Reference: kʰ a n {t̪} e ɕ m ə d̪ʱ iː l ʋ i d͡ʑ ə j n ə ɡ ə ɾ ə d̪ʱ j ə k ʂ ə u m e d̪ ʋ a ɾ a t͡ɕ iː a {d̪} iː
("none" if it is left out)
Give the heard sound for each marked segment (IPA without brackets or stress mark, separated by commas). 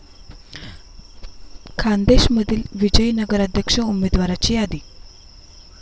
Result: d̪, d̪